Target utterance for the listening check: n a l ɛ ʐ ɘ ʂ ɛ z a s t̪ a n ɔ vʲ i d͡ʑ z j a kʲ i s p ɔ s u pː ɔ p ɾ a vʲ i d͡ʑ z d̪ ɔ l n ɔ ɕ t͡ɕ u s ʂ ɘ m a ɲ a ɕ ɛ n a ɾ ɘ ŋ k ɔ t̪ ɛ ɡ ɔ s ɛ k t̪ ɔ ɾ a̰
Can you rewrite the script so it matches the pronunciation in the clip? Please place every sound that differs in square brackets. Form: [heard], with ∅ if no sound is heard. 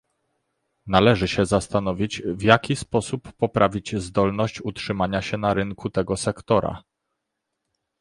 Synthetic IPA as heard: n a l ɛ ʐ ɘ [ɕ] ɛ z a s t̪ a n ɔ vʲ i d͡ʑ [v] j a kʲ i s p ɔ s u pː ɔ p ɾ a vʲ i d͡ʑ z d̪ ɔ l n ɔ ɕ t͡ɕ u [t] ʂ ɘ m a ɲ a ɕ ɛ n a ɾ ɘ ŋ k [u] t̪ ɛ ɡ ɔ s ɛ k t̪ ɔ ɾ a̰